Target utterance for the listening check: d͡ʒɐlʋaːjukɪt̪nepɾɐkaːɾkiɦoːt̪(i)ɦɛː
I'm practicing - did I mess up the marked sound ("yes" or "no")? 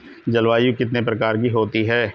no